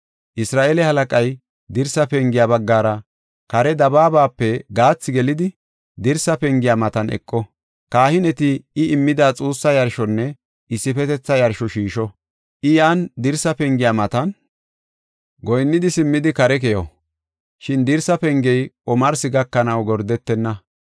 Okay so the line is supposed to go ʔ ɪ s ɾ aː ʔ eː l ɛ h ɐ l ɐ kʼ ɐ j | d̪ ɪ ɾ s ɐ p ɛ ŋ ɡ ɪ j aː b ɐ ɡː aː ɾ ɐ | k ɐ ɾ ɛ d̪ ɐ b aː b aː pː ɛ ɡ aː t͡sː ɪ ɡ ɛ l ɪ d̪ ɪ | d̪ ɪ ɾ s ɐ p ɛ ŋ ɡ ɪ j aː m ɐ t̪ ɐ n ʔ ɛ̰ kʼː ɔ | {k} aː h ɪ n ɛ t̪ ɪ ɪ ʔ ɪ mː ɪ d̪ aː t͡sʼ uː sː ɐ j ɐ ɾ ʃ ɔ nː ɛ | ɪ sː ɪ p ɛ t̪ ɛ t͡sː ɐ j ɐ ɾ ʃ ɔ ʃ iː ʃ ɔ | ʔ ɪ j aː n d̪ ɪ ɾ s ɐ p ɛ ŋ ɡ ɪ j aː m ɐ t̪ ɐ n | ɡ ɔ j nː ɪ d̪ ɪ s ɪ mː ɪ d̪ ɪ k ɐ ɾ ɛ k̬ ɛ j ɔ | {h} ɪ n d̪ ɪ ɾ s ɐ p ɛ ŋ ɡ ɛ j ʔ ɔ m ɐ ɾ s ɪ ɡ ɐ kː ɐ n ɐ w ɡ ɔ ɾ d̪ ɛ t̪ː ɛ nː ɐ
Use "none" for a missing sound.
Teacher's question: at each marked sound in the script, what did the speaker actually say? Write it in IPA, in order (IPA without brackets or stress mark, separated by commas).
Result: k, ʃ